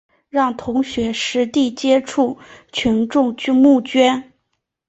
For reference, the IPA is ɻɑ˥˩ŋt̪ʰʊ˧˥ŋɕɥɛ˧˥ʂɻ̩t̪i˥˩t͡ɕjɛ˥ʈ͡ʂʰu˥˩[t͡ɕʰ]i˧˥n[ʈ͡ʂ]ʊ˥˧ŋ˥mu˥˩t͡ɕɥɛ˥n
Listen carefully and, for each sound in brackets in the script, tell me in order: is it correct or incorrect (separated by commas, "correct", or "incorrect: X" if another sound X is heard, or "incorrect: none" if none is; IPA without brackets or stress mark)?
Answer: correct, correct